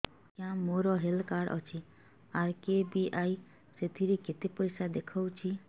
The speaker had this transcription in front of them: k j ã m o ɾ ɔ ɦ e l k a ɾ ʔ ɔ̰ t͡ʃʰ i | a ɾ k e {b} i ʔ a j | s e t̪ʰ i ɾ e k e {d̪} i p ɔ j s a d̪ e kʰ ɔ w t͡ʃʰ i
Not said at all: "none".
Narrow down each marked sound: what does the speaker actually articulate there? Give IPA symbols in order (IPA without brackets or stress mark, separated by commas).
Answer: b, t̪